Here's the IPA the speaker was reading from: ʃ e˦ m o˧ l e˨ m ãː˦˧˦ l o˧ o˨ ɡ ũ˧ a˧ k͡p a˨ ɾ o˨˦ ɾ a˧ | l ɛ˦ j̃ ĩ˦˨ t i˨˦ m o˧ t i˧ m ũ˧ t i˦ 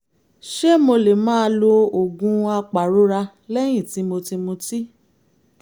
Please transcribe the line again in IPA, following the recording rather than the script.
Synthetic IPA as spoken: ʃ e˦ m o˧ l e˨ m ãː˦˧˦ l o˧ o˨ ɡ ũ˧ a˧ k͡p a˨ ɾ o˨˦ ɾ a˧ | l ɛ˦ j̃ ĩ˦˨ t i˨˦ m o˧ t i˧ m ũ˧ t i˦